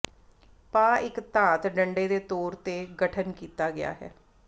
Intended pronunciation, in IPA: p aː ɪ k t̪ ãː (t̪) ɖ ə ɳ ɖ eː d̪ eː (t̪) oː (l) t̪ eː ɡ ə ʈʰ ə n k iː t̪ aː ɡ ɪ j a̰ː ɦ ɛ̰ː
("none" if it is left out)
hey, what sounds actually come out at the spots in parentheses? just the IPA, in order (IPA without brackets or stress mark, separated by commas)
t̪, t̪, ɾ